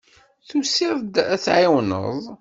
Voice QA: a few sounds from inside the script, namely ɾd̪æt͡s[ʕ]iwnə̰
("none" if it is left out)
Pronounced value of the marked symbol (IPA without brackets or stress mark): ʕ